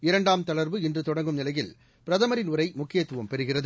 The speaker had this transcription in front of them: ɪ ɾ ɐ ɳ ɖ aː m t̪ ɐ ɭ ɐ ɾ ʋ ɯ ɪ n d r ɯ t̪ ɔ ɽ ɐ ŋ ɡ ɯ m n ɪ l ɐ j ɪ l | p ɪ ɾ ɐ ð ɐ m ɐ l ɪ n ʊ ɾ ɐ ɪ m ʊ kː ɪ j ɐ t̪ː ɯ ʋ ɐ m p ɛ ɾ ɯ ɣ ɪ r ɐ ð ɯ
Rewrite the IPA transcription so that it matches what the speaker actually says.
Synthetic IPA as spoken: ɪ ɾ ɐ ɳ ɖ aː m t̪ ɐ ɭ ɐ ɾ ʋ ɯ ɪ n d r ɯ t̪ ɔ ɽ ɐ ŋ ɡ ɯ m n ɪ l ɐ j ɪ l | p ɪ ɾ ɐ ð ɐ m ɐ ɾ ɪ n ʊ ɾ ɐ ɪ m ʊ kː ɪ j ɐ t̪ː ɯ ʋ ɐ m p ɛ ɾ ɯ ɣ ɪ r ɐ ð ɯ